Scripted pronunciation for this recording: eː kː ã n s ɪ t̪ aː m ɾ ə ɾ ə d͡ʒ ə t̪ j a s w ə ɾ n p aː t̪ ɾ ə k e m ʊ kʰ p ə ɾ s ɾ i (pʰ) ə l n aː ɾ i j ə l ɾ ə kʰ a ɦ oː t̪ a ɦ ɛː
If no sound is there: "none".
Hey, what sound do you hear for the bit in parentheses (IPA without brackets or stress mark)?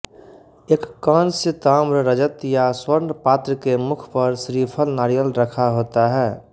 pʰ